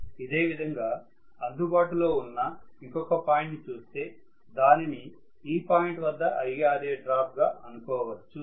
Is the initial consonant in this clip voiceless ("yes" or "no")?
no